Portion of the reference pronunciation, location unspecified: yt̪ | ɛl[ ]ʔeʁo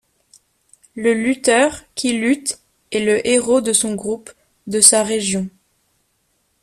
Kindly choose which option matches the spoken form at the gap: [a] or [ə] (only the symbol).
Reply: ə